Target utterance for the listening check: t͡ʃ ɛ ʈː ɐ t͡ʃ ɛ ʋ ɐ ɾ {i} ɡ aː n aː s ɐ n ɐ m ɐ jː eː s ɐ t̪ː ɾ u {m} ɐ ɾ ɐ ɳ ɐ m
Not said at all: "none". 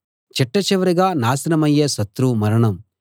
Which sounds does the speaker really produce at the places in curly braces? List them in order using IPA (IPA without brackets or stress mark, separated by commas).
i, m